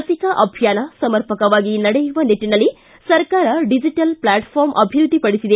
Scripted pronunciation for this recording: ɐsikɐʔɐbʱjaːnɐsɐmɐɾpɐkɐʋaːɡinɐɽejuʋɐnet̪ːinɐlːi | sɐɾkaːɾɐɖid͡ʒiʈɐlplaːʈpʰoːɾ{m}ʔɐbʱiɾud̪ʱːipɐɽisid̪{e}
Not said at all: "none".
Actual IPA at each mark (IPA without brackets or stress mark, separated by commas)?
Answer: m, e